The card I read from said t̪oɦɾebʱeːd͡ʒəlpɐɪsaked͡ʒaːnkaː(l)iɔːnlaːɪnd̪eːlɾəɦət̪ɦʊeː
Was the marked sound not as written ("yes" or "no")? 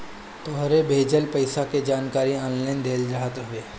yes